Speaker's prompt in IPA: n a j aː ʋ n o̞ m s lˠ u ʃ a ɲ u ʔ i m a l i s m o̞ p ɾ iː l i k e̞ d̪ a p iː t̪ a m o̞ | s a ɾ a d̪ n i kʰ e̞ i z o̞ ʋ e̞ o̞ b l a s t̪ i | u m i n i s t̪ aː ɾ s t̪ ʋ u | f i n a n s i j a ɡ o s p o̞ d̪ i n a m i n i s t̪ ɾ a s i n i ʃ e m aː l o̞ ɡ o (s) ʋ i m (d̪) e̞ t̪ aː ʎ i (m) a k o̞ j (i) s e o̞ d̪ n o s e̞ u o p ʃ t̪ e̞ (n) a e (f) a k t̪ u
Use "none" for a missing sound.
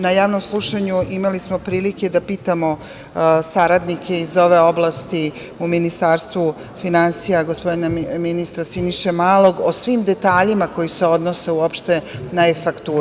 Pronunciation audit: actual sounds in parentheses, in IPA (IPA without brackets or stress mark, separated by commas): s, d̪, m, i, n, f